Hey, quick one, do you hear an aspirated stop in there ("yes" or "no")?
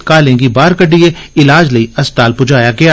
no